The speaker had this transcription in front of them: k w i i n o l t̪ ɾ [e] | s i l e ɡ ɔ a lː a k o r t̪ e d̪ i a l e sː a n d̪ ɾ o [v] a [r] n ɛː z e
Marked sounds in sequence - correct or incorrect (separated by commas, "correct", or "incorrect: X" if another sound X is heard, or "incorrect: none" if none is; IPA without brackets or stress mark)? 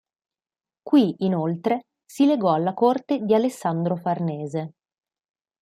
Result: correct, incorrect: f, correct